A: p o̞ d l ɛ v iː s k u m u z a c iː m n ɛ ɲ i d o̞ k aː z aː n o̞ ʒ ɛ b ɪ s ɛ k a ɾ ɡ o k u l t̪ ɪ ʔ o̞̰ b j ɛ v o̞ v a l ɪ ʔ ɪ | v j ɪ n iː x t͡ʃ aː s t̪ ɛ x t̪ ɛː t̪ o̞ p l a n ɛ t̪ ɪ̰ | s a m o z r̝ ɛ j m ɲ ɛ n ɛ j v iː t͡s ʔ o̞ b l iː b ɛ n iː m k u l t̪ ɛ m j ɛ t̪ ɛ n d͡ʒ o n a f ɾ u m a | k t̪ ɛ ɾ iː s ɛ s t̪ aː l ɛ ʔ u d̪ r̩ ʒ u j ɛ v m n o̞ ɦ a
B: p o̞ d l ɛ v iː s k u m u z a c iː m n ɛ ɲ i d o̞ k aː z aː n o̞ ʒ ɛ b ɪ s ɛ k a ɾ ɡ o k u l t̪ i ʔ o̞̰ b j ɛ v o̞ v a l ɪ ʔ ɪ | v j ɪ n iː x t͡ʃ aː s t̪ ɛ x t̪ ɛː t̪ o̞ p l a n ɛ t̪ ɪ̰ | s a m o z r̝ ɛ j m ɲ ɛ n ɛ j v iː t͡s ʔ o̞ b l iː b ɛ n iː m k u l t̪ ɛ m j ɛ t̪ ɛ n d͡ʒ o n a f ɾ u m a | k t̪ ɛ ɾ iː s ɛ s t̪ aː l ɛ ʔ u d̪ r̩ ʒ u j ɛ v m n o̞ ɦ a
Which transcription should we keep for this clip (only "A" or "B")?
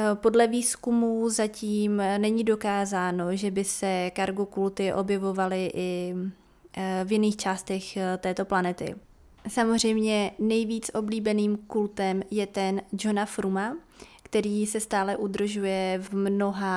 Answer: A